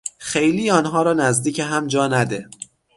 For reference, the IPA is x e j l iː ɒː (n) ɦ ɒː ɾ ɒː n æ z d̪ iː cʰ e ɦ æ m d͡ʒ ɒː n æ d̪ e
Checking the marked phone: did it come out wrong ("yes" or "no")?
no